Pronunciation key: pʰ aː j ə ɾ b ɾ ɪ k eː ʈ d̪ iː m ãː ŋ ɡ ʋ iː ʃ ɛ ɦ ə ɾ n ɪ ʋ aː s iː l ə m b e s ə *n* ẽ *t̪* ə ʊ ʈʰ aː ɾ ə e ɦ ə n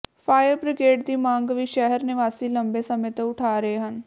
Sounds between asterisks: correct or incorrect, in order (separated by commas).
incorrect, correct